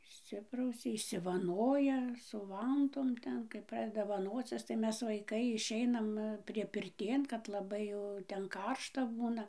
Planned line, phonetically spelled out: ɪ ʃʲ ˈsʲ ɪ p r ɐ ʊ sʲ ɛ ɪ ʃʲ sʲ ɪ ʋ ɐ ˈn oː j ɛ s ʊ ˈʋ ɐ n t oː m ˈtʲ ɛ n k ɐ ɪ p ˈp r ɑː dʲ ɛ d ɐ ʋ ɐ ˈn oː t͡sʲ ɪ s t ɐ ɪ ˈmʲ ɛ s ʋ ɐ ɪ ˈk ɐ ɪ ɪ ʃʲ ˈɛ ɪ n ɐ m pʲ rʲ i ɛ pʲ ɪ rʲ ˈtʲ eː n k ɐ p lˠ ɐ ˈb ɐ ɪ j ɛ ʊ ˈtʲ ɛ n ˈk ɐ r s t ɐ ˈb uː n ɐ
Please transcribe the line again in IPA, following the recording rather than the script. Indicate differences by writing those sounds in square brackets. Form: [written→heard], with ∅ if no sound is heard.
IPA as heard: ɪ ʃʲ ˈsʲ ɪ p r ɐ ʊ sʲ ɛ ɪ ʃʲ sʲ ɪ ʋ ɐ ˈn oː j ɛ s ʊ ˈʋ ɐ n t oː m ˈtʲ ɛ n k ɐ ɪ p ˈp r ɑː dʲ ɛ d ɐ ʋ ɐ ˈn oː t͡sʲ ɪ s t ɐ ɪ ˈmʲ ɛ s ʋ ɐ ɪ ˈk ɐ ɪ ɪ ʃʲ ˈɛ ɪ n ɐ m pʲ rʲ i ɛ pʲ ɪ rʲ ˈtʲ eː n k ɐ [p→t] lˠ ɐ ˈb ɐ ɪ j ɛ ʊ ˈtʲ ɛ n ˈk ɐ r [s→ʃ] t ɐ ˈb uː n ɐ

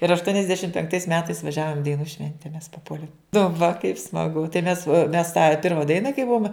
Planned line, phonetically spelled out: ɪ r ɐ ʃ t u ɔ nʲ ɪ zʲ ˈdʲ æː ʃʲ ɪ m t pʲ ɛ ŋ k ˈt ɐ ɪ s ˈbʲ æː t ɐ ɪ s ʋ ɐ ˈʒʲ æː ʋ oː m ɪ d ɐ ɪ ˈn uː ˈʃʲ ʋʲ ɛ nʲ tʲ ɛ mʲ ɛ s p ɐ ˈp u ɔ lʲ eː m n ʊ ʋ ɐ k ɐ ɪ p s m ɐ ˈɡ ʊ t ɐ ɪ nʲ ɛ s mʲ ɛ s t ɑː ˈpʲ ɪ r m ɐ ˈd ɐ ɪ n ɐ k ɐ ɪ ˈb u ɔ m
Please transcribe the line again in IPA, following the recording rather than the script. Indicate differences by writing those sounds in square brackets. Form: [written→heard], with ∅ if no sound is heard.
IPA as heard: ɪ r ɐ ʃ t u ɔ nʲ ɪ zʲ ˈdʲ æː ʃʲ ɪ m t pʲ ɛ ŋ k ˈt ɐ ɪ s [ˈbʲ→ˈmʲ] æː t ɐ ɪ s ʋ ɐ ˈʒʲ æː ʋ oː m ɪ d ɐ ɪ ˈn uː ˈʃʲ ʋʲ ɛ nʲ tʲ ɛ mʲ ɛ s p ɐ ˈp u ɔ lʲ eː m n ʊ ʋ ɐ k ɐ ɪ p s m ɐ ˈɡ ʊ t ɐ ɪ [nʲ→mʲ] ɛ s mʲ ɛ s t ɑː ˈpʲ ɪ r m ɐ ˈd ɐ ɪ n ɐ k ɐ ɪ ˈb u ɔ m

